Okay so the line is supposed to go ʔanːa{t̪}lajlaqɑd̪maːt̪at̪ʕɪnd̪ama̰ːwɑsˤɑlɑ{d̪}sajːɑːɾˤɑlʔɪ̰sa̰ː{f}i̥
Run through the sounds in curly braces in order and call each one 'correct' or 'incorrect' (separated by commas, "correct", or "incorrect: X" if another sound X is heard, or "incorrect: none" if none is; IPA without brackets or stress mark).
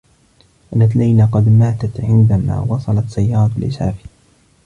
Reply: correct, incorrect: t̪, correct